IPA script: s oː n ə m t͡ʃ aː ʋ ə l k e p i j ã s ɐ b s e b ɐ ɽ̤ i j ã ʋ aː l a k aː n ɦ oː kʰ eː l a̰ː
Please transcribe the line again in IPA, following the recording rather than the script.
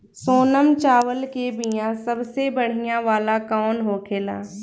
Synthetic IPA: s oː n ə m t͡ʃ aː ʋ ə l k e b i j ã s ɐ b s e b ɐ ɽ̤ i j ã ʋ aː l a k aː n ɦ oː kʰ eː l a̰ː